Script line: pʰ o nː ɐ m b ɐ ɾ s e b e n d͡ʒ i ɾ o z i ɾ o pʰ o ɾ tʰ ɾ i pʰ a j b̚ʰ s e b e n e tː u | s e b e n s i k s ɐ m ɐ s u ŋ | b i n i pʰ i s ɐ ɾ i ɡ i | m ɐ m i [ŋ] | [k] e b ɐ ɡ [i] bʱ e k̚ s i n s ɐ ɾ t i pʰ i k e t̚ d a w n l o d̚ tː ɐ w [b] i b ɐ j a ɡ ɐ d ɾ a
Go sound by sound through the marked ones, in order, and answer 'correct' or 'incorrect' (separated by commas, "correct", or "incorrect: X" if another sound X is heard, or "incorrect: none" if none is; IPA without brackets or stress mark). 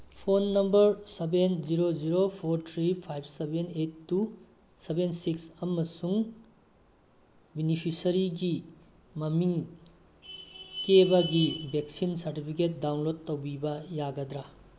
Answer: correct, correct, correct, correct